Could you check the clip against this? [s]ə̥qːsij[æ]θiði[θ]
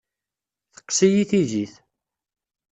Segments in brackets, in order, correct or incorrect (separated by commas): incorrect, incorrect, correct